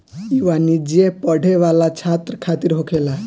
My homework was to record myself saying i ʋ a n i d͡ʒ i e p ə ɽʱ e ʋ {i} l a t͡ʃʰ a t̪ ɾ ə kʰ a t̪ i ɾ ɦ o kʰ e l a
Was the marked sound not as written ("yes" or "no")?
yes